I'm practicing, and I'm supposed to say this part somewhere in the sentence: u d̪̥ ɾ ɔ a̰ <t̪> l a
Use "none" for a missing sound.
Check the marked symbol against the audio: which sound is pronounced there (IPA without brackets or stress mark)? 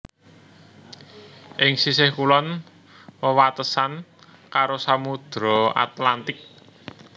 t̪